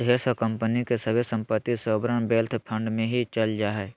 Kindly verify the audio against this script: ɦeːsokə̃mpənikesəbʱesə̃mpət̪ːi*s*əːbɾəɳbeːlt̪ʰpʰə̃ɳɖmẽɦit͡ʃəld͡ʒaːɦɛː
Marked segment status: correct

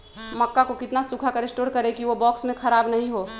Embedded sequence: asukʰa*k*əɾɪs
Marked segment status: correct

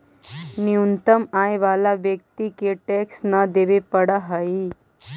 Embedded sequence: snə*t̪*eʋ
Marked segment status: incorrect: d̪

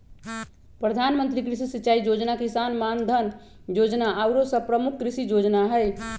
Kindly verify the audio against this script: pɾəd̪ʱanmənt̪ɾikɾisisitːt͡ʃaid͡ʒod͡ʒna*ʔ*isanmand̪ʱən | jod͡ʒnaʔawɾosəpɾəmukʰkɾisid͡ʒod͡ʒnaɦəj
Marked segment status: incorrect: k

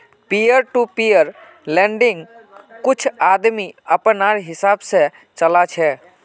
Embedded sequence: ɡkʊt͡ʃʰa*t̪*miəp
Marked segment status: incorrect: d̪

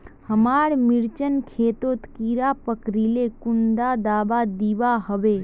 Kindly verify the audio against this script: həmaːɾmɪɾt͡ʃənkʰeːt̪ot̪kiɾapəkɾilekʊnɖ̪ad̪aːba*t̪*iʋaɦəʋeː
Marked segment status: incorrect: d̪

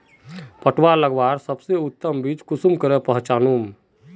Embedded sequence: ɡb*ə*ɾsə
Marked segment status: incorrect: a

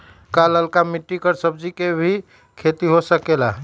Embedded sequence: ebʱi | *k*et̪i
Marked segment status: incorrect: kʰ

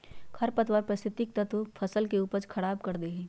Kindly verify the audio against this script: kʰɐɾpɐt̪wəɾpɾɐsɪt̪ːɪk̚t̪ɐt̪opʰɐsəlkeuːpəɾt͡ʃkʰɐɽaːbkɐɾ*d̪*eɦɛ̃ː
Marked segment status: correct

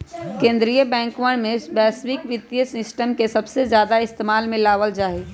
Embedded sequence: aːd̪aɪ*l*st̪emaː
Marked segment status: incorrect: none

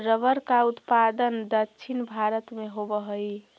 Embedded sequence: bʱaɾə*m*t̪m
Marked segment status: incorrect: none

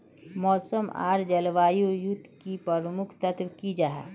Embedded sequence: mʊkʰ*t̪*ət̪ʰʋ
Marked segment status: correct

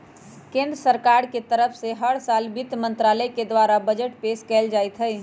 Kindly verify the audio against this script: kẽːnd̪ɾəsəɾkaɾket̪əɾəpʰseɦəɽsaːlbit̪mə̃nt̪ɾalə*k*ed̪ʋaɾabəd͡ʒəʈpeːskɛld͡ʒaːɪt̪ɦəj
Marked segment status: correct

